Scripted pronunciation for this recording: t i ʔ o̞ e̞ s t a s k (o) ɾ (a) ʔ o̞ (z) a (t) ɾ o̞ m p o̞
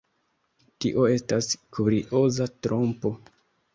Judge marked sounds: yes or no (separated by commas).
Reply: no, no, yes, yes